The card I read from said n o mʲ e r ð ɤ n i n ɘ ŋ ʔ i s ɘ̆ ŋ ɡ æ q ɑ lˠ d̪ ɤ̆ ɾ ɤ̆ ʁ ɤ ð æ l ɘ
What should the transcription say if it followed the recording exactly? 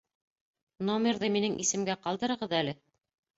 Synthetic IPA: n o mʲ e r ð ɤ m i n ɘ ŋ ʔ i s ɘ̆ m ɡ æ q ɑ lˠ d̪ ɤ̆ ɾ ɤ̆ ʁ ɤ ð æ l ɘ